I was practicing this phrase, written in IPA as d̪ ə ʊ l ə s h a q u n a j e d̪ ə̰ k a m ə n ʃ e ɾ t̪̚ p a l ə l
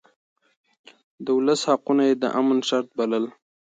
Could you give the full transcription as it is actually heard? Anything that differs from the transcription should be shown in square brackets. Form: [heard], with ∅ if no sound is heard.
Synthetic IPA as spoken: d̪ ə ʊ l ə s h a q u n a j e d̪ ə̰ [ʔ] a m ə n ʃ [a] ɾ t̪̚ [b] a l ə l